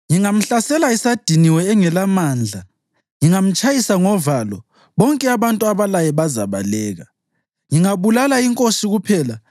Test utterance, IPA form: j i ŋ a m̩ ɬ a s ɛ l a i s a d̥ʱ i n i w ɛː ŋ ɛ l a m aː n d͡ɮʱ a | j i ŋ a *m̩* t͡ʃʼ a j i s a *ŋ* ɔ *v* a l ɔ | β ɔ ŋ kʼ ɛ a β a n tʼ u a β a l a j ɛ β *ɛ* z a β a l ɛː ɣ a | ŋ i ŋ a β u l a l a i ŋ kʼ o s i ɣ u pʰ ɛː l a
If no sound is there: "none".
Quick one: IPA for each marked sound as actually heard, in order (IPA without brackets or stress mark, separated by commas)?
m̩, ŋ, v, a